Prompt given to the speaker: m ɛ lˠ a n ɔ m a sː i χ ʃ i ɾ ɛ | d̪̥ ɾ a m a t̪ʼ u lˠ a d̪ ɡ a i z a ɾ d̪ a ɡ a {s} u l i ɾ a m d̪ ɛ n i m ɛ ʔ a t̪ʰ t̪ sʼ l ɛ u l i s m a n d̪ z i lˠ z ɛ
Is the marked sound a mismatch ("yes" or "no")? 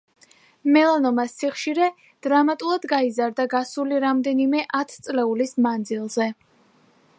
no